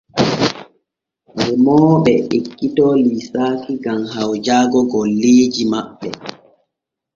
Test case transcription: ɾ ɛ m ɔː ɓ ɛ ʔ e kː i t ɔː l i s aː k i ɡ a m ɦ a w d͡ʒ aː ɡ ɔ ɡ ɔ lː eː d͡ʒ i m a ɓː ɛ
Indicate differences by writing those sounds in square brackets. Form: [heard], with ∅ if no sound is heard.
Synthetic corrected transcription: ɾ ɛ m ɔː ɓ ɛ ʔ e kː i t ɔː l i s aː k i ɡ a m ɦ a w d͡ʒ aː ɡ ɔ ɡ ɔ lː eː d͡ʒ i m a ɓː ɛ